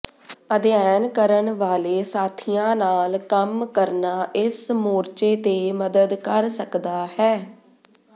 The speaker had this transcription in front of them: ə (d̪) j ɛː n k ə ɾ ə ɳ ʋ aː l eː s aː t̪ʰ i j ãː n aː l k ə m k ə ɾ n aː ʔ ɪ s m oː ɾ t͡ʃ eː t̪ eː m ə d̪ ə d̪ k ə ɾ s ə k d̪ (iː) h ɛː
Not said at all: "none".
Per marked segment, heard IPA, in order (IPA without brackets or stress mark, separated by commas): d̪, aː